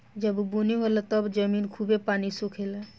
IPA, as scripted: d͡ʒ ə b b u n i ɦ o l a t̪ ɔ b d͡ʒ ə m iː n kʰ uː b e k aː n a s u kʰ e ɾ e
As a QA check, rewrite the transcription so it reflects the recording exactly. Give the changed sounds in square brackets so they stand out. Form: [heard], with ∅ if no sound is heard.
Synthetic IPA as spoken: d͡ʒ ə b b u n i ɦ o l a t̪ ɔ b d͡ʒ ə m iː n kʰ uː b e [p] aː n [i] s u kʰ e [l] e

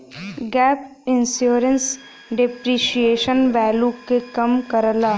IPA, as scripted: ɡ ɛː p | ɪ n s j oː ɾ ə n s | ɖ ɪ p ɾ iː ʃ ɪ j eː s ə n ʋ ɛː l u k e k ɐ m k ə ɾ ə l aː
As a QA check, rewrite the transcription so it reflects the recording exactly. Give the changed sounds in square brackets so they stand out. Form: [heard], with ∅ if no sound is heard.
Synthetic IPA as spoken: ɡ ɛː p | ɪ n s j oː ɾ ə n s | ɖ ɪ p ɾ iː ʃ [i] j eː [ʃ] ə n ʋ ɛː l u k e k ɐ m k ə ɾ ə l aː

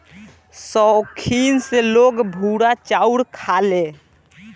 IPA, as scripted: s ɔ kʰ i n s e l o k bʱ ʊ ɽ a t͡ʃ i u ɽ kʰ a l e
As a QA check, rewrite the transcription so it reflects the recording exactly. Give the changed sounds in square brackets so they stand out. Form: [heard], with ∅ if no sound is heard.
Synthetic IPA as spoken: s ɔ kʰ i n s e l o [ɡ] bʱ [u] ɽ a t͡ʃ [a] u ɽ kʰ a l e

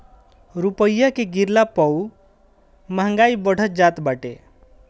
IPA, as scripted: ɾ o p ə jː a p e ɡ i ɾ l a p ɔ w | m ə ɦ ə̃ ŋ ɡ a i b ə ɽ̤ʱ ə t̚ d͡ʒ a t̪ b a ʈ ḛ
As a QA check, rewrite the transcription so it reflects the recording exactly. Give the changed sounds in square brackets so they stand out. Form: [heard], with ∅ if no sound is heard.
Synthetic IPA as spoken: ɾ [u] p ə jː a [k] e ɡ i ɾ l a p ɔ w | m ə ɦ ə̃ ŋ ɡ a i b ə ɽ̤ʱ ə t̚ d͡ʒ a t̪ b a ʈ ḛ

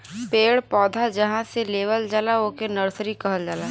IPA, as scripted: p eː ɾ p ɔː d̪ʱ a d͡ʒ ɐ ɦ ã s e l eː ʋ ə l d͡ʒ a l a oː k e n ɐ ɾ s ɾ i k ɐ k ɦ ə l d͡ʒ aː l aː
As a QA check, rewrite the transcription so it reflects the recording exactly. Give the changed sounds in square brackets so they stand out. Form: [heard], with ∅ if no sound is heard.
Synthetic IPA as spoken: p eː [ɽ] p ɔː d̪ʱ a d͡ʒ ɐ ɦ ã s e l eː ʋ ə l d͡ʒ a l a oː k e n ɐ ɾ s ɾ i k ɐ [∅] ɦ ə l d͡ʒ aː l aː

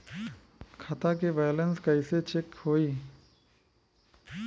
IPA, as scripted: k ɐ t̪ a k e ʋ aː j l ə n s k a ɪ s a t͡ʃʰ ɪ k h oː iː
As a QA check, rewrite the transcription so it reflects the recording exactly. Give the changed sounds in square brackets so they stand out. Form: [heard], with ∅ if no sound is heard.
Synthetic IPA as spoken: [kʰ] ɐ t̪ a k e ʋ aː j l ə n s k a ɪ s [e] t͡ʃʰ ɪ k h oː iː

